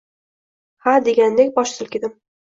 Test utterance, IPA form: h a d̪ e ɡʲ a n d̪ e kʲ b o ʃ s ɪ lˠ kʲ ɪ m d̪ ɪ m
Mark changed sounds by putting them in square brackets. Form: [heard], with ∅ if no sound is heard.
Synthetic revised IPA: h a d̪ e ɡʲ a n d̪ e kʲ b [ɒ] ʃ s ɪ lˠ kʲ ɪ [∅] d̪ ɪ m

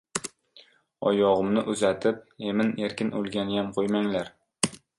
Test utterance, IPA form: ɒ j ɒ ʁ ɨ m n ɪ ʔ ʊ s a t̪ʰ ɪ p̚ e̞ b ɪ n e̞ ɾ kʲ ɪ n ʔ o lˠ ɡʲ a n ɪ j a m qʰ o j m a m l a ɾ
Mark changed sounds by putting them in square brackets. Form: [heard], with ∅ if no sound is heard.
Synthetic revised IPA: ɒ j ɒ ʁ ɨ m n ɪ ʔ ʊ [z] a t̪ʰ ɪ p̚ e̞ [m] ɪ n e̞ ɾ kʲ ɪ n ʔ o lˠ ɡʲ a n ɪ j a m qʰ o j m a [ŋ] l a ɾ

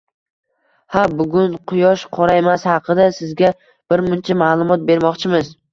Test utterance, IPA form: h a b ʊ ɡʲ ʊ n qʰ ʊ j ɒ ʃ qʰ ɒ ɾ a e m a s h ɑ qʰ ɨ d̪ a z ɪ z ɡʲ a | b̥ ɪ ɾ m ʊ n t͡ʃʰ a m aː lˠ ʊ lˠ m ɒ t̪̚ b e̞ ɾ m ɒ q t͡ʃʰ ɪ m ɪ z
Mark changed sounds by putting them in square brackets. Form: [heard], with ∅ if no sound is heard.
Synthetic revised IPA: h a b ʊ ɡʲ ʊ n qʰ ʊ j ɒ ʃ qʰ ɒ ɾ a e m a s h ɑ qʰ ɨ d̪ a [s] ɪ z ɡʲ a | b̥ ɪ ɾ m ʊ n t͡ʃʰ a m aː lˠ ʊ [∅] m ɒ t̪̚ b e̞ ɾ m ɒ q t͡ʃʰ ɪ m ɪ z

